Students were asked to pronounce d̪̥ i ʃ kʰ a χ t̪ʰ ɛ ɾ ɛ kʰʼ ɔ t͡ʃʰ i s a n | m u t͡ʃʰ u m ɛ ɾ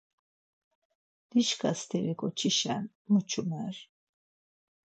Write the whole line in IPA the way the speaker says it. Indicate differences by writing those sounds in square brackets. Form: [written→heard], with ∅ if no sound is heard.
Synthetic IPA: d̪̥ i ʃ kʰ a [χ→s] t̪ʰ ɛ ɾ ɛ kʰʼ ɔ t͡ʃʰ i [s→ʃ] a n | m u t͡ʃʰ u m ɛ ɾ